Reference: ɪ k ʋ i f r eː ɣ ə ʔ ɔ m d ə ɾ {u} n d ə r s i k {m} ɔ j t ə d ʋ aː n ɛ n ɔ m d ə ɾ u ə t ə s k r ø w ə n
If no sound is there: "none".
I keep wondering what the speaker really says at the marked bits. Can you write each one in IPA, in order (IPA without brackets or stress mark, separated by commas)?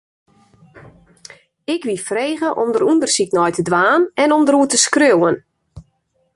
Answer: u, n